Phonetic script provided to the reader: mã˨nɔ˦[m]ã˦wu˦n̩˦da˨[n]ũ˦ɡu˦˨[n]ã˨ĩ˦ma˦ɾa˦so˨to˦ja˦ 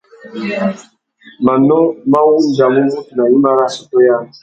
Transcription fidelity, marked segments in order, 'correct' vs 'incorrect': correct, incorrect: m, correct

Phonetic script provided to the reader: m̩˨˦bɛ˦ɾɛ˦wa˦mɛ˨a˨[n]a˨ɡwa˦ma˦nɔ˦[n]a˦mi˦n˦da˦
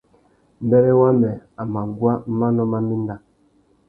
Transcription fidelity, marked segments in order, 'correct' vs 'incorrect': incorrect: m, incorrect: m

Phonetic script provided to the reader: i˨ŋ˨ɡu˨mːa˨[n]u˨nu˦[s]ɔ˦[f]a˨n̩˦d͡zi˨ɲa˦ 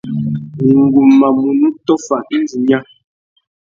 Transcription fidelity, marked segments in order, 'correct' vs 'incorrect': incorrect: m, incorrect: t, correct

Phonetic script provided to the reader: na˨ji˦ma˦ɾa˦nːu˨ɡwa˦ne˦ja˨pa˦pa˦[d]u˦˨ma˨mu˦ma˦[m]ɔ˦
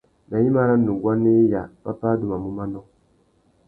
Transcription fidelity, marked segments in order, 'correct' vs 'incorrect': correct, incorrect: n

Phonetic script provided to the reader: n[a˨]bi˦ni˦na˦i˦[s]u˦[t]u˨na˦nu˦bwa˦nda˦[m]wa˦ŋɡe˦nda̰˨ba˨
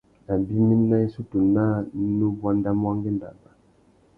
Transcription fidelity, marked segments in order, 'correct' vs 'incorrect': correct, correct, correct, correct

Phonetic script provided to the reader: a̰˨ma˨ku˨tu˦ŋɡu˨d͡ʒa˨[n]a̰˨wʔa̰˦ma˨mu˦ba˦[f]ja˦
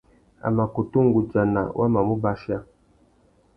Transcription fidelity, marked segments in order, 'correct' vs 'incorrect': correct, incorrect: ʃ

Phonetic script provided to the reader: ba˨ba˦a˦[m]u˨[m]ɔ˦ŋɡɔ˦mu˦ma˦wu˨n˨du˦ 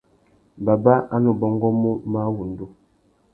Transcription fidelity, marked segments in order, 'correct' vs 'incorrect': incorrect: n, incorrect: b

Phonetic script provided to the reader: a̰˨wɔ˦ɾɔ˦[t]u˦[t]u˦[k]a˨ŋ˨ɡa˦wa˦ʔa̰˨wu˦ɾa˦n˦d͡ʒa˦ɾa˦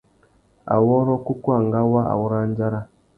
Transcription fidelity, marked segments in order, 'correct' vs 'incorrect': incorrect: k, incorrect: k, incorrect: none

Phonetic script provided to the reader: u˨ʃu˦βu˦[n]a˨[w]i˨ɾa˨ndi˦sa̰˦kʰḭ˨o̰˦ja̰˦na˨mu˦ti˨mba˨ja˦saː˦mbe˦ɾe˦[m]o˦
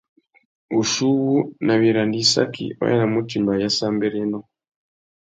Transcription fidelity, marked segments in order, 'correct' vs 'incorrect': correct, incorrect: β, incorrect: n

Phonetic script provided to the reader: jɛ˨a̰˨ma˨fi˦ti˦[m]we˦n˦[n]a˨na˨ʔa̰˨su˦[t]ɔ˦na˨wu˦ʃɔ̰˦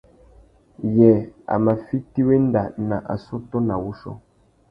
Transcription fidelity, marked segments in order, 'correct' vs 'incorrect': incorrect: none, incorrect: d, correct

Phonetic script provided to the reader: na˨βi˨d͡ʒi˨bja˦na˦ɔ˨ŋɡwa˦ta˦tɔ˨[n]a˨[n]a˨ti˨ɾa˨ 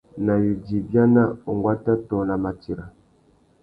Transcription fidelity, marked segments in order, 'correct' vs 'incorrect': correct, incorrect: m

